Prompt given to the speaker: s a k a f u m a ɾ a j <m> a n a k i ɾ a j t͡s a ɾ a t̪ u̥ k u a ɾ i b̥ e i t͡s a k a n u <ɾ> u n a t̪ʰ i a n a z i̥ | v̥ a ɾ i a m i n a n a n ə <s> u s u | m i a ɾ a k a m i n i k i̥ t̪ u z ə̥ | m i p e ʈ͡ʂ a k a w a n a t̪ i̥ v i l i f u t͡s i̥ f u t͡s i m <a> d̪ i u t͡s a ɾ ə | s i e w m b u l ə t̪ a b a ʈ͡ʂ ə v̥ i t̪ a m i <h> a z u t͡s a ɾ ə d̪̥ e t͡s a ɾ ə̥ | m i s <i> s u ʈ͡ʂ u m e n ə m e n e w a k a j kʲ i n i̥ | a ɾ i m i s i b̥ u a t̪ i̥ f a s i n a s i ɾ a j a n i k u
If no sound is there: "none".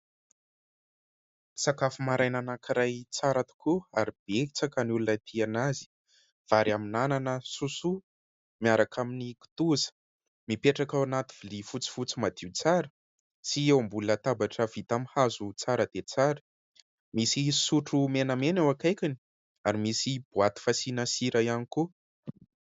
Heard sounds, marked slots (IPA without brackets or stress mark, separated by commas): n, l, s, a, h, i